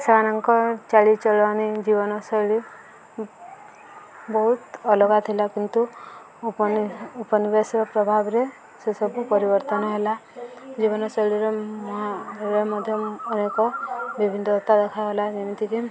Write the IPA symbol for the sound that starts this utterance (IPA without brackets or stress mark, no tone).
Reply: s